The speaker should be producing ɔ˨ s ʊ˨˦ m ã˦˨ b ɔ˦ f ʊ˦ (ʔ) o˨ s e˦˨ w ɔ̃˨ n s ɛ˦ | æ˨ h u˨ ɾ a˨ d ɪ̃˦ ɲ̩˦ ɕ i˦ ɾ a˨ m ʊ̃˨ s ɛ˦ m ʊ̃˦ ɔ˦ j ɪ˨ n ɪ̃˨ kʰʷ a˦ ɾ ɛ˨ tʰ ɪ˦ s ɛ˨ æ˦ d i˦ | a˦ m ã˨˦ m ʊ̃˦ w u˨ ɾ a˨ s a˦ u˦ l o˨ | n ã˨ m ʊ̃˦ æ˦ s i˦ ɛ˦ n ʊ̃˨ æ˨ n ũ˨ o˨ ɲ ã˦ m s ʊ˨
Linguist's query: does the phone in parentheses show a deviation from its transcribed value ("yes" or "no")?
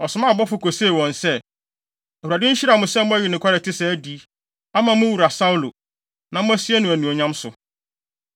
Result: yes